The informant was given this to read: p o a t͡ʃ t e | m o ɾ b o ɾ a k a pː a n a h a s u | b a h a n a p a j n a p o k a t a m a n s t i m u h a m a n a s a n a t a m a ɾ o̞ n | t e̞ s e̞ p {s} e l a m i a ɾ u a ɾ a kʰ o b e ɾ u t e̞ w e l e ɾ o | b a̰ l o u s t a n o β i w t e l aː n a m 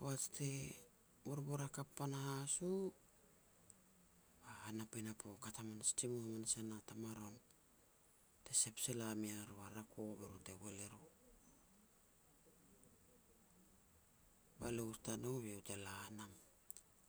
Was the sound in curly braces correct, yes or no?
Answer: yes